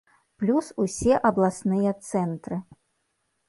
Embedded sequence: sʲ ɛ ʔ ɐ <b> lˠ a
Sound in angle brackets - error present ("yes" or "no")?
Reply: no